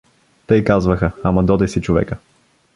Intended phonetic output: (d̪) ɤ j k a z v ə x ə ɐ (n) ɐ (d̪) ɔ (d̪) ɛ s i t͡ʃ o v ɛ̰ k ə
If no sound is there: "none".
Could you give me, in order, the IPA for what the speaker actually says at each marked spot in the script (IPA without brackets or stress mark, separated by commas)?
t̪, m, d̪, d̪